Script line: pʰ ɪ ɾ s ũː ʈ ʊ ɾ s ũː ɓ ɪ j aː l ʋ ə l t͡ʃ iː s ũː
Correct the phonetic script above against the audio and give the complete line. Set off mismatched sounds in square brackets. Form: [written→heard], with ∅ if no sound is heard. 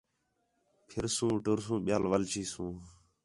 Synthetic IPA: pʰ ɪ ɾ s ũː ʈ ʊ ɾ s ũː ɓ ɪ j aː l ʋ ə l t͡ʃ iː s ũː